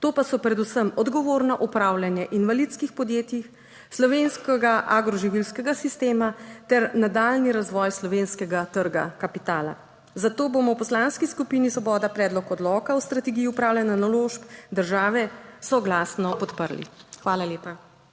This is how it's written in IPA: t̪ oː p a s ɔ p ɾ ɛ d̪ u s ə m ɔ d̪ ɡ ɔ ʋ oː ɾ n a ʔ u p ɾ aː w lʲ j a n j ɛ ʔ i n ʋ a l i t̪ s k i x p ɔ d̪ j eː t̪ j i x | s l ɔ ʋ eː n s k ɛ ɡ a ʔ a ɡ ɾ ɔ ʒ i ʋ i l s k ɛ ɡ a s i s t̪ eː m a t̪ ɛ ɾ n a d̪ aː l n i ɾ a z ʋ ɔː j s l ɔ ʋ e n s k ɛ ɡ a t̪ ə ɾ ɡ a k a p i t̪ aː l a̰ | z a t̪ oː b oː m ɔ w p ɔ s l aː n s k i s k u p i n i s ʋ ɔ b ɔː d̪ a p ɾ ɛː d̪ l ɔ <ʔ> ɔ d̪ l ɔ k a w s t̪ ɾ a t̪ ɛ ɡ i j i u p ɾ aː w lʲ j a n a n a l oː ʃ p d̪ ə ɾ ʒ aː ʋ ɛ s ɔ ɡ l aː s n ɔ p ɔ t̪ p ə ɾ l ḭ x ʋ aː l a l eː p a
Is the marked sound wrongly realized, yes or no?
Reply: yes